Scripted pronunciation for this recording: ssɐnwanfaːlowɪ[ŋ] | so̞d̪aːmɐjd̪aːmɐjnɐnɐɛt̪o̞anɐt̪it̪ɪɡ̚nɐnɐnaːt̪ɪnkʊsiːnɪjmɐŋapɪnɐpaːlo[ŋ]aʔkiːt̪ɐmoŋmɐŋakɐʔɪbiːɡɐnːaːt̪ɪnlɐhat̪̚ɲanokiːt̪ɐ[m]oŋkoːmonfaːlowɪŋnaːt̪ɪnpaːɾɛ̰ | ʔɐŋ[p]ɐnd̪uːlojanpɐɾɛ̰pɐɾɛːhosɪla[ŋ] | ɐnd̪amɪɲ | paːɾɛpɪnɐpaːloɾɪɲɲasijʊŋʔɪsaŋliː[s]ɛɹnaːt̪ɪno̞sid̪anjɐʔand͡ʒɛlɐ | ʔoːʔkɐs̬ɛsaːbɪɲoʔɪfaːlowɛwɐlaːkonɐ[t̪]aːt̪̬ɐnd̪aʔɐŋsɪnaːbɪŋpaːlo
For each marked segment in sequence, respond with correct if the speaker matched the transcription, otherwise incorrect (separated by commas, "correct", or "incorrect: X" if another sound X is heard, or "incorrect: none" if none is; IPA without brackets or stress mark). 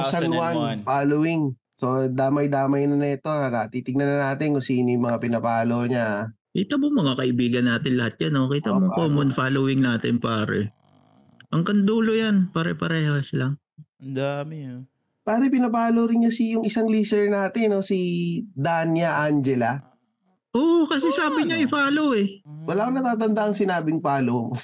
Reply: correct, incorrect: ɲ, correct, incorrect: k, correct, correct, correct